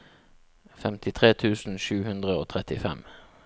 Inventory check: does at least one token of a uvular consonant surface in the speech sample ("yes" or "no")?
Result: yes